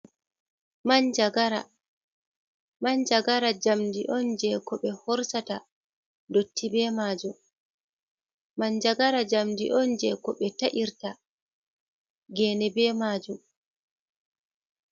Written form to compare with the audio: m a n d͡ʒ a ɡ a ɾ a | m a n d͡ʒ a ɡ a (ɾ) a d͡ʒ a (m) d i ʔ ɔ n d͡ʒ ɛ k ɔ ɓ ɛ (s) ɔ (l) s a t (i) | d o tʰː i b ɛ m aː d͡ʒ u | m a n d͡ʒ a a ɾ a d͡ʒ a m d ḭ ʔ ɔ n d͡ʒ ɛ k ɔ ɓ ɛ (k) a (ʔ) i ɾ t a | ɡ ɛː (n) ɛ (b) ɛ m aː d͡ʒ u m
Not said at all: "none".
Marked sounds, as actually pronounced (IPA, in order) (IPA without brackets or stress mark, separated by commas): ɾ, m, h, ɾ, a, t, ʔ, n, b